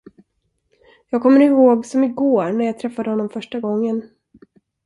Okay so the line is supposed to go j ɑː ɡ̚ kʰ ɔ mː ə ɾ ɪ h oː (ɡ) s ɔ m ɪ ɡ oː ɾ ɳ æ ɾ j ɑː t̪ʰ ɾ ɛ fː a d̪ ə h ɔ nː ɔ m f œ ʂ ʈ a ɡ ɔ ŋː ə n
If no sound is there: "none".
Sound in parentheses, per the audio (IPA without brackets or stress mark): ɡ